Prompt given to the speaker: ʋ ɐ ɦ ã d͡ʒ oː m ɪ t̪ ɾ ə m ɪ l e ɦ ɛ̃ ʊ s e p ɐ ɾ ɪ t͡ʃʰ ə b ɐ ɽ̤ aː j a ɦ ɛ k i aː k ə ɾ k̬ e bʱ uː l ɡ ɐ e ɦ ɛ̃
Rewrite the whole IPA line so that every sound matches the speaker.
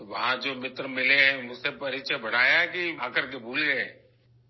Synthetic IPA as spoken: ʋ ɐ ɦ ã d͡ʒ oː m ɪ t̪ ɾ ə m ɪ l e ɦ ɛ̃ ʊ s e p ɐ ɾ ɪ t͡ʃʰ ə b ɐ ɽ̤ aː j a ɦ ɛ k i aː k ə ɾ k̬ e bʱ uː l ɡ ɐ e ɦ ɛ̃